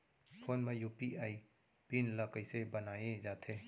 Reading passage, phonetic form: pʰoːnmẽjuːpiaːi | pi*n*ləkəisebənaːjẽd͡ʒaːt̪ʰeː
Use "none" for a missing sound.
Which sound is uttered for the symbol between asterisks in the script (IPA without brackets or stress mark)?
n